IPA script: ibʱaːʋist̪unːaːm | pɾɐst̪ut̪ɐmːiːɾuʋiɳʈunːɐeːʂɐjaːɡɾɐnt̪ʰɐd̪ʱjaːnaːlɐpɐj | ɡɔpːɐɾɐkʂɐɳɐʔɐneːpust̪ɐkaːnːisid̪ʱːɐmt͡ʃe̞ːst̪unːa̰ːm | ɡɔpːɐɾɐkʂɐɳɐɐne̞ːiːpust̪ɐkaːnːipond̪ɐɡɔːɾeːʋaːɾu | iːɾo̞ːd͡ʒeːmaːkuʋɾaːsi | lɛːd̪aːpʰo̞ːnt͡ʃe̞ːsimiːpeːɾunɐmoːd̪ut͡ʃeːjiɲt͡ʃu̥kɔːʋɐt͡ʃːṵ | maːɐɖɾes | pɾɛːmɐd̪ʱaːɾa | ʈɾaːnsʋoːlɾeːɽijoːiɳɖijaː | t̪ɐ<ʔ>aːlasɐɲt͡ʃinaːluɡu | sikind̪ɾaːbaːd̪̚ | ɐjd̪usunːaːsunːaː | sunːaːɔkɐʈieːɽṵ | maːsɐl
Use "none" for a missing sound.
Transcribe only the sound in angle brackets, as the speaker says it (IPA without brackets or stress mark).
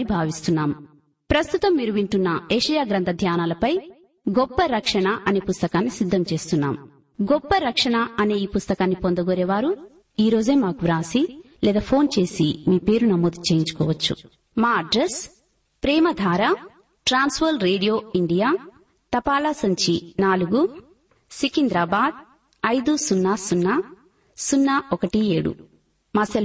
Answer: p